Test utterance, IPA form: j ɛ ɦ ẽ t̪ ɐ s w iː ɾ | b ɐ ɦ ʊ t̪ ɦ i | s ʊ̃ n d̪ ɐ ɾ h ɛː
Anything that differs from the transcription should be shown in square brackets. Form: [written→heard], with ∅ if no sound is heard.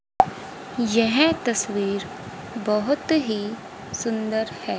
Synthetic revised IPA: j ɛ ɦ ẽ t̪ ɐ s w iː ɾ | b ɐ ɦ ʊ t̪ ɦ i | s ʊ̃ n d̪ [ɐ→ə] ɾ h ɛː